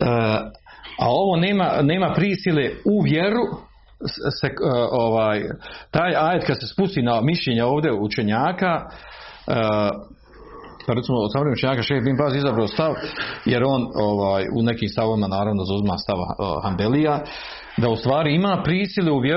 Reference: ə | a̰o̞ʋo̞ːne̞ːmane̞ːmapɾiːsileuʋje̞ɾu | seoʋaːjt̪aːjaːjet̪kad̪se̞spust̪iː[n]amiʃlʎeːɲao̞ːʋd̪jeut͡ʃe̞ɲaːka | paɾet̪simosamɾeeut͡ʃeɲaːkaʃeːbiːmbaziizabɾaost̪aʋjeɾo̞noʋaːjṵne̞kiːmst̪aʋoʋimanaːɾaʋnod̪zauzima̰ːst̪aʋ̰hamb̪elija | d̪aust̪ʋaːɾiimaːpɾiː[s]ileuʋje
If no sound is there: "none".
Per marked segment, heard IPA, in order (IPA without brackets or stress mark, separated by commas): n, s